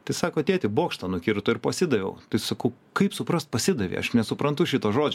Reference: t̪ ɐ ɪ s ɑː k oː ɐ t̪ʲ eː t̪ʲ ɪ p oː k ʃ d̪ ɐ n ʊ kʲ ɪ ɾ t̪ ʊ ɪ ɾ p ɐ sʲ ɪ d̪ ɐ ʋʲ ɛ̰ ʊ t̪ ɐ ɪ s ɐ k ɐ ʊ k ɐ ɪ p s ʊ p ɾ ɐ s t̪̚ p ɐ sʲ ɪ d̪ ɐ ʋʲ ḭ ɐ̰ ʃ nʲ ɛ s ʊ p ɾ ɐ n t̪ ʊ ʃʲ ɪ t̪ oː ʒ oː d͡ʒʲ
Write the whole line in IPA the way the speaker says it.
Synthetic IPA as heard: t̪ ɐ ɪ s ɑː k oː ɐ t̪ʲ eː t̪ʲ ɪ b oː k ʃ t̪ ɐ n ʊ kʲ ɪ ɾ t̪ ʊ ɪ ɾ p ɐ sʲ ɪ d̪ ɐ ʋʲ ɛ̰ ʊ t̪ ɐ ɪ s ɐ k ɐ ʊ k ɐ ɪ p s ʊ p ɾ ɐ s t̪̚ p ɐ sʲ ɪ d̪ ɐ ʋʲ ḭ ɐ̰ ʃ nʲ ɛ s ʊ p ɾ ɐ n t̪ ʊ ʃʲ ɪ t̪ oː ʒ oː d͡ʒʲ